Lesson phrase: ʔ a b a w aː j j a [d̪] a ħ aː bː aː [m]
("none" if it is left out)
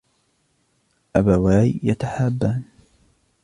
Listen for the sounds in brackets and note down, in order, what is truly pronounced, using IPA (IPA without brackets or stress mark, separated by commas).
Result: t̪, n